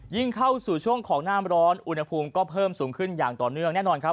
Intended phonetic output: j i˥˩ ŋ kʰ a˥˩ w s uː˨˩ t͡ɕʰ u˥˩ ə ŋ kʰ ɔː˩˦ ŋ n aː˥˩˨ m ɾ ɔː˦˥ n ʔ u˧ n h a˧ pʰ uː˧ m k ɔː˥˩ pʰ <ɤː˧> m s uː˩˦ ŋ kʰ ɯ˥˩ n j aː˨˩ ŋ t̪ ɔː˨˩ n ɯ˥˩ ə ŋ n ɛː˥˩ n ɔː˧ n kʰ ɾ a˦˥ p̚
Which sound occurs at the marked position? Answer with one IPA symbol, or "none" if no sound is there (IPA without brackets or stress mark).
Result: ɤː˥˩